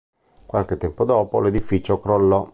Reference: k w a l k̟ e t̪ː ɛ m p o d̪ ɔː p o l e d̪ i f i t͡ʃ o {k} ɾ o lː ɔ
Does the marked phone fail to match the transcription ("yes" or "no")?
no